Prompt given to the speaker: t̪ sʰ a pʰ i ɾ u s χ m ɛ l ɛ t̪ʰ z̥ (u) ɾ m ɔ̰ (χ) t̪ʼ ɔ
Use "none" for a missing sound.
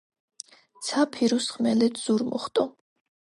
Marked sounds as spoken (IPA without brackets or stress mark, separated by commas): u, χ